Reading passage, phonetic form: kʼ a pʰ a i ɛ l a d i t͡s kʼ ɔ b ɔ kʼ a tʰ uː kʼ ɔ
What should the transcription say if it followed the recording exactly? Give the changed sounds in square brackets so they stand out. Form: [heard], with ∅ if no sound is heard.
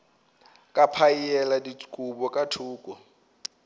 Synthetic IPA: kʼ a pʰ a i ɛ l a d i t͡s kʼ [u] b ɔ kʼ a tʰ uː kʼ ɔ